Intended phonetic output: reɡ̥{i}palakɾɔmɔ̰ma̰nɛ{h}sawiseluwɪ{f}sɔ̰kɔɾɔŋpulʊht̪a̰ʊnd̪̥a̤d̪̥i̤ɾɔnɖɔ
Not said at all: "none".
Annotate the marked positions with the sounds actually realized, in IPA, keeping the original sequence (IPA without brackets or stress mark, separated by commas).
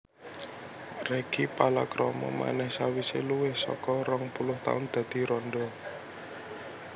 i, h, h